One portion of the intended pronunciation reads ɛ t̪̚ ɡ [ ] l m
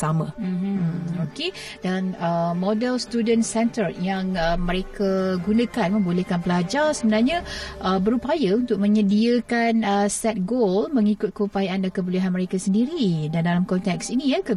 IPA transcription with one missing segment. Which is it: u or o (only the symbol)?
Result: o